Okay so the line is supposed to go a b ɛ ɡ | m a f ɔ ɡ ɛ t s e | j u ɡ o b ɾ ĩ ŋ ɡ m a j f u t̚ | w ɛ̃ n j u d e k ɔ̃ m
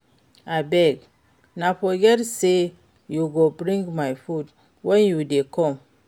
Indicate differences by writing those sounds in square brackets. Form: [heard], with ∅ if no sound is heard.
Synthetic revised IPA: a b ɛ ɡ | [n] a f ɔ ɡ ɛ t s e | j u ɡ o b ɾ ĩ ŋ ɡ m a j f u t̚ | w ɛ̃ n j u d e k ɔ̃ m